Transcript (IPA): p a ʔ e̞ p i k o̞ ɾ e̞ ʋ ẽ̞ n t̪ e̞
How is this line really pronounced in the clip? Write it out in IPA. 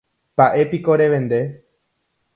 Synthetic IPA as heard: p a ʔ e̞ p i k o̞ ɾ e̞ ʋ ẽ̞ n d̪ e̞